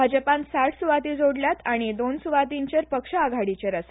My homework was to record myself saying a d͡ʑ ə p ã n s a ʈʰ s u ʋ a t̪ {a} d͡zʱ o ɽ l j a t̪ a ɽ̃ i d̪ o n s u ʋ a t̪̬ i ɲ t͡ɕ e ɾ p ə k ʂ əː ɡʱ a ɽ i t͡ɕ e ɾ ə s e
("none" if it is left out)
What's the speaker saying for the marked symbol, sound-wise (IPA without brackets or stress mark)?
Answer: i